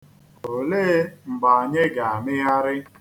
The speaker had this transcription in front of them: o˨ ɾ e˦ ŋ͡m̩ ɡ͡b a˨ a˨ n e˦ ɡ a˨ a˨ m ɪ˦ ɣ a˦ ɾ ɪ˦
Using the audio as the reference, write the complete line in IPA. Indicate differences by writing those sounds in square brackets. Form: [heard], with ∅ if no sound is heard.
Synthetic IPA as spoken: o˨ [l] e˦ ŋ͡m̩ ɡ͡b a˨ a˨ [ɲ] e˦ ɡ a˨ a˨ m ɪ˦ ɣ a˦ ɾ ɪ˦

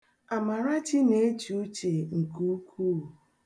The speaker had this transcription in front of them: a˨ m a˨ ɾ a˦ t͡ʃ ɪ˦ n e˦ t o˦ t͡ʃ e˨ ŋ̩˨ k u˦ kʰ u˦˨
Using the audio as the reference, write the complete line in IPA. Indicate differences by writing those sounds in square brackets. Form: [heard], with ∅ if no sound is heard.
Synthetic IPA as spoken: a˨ m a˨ ɾ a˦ t͡ʃ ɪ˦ n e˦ [t͡ʃ] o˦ t͡ʃ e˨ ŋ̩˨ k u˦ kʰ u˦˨

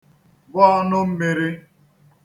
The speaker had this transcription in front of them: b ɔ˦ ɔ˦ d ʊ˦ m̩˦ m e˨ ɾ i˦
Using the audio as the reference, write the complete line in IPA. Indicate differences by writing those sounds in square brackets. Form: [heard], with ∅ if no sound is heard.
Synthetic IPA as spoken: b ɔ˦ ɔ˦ [n] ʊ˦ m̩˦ m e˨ ɾ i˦

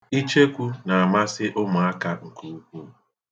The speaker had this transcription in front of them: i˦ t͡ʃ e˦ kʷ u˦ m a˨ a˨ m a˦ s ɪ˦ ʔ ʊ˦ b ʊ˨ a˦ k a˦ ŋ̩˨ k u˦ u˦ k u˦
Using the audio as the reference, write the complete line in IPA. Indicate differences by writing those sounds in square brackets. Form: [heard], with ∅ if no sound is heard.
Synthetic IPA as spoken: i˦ t͡ʃ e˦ kʷ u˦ [n] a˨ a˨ m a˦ s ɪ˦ ʔ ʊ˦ [m] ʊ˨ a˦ k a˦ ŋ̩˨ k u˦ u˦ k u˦

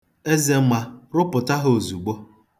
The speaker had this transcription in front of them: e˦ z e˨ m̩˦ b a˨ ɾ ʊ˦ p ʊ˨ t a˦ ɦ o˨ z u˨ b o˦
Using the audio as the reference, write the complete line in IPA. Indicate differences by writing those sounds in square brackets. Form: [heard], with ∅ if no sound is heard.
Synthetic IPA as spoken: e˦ z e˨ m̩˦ [m] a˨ ɾ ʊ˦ p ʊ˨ t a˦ ɦ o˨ z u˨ [ɡ͡b] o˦

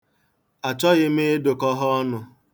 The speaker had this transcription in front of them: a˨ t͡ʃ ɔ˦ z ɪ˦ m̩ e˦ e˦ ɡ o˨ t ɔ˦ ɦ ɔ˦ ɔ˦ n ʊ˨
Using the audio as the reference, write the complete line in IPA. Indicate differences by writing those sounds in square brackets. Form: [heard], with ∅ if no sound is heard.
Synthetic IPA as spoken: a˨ t͡ʃ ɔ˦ [ɣ] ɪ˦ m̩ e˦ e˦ [d] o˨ [k] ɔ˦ ɦ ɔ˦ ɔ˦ n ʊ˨

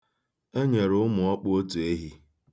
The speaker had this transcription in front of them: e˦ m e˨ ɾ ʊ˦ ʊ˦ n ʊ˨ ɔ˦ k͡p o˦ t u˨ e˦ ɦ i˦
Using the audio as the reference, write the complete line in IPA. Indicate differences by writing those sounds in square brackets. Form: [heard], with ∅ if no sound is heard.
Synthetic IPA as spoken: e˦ [ɲ] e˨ ɾ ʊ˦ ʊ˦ [m] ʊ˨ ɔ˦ k͡p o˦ t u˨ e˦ ɦ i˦

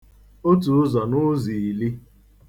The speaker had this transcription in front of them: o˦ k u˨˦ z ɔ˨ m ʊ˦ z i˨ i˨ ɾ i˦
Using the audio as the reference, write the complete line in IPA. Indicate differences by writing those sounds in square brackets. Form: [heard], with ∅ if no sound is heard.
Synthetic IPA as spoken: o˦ [t] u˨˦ z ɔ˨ [n] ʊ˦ z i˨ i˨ [l] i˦

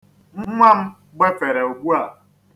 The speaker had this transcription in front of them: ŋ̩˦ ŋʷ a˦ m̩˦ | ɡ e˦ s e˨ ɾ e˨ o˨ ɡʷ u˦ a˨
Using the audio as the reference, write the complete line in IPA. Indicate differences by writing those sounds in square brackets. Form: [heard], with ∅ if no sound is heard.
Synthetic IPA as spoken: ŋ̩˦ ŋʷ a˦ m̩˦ | [ɡ͡b] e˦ [f] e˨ ɾ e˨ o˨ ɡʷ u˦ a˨

